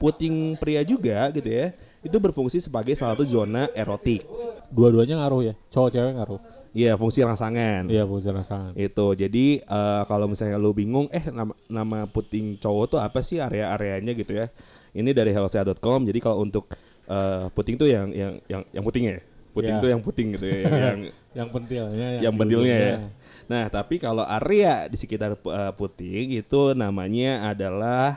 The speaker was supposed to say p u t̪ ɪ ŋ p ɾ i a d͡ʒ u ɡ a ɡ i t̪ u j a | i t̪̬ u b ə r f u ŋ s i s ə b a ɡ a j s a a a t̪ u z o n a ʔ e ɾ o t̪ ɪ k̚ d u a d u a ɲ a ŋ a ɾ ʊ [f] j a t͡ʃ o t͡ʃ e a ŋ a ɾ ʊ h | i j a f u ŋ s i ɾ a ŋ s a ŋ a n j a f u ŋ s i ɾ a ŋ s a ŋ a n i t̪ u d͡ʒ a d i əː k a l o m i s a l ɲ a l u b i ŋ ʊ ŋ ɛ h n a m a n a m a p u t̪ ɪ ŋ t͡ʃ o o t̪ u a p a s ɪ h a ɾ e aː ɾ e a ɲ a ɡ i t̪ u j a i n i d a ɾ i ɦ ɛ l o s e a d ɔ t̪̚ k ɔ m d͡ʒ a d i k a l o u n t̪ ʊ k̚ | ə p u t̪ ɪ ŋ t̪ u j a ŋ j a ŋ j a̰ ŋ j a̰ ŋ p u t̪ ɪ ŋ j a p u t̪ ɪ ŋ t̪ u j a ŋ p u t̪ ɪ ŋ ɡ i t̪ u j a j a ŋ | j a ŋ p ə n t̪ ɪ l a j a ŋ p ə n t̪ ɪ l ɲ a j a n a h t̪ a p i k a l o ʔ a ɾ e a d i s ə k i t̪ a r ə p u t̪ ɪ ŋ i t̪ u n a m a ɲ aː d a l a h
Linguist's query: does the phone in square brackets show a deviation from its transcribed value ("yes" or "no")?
yes